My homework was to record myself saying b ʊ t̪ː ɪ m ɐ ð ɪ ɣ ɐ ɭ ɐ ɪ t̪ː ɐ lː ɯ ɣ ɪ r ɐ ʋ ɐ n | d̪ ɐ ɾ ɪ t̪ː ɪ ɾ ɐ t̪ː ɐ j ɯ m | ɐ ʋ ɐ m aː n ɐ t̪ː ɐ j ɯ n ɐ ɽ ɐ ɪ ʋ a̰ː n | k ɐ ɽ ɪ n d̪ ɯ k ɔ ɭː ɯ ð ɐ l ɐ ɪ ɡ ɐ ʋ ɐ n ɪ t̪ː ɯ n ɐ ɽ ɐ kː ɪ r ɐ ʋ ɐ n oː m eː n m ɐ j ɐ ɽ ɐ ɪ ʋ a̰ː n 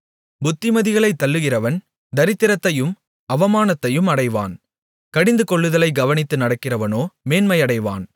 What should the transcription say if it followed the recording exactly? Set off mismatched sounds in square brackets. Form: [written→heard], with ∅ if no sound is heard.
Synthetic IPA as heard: b ʊ t̪ː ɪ m ɐ ð ɪ ɣ ɐ ɭ ɐ ɪ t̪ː ɐ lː ɯ ɣ ɪ r ɐ ʋ ɐ n | d̪ ɐ ɾ ɪ t̪ː ɪ ɾ ɐ t̪ː ɐ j ɯ m | ɐ ʋ ɐ m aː n ɐ t̪ː ɐ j ɯ [n→m] ɐ ɽ ɐ ɪ ʋ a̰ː n | k ɐ ɽ ɪ n d̪ ɯ k ɔ ɭː ɯ ð ɐ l ɐ ɪ ɡ ɐ ʋ ɐ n ɪ t̪ː ɯ n ɐ ɽ ɐ kː ɪ r ɐ ʋ ɐ n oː m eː n m ɐ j ɐ ɽ ɐ ɪ ʋ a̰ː n